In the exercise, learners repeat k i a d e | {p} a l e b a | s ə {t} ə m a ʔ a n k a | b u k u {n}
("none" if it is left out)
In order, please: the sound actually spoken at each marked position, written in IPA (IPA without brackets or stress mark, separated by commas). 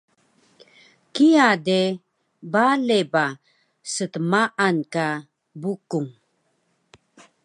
b, t, ŋ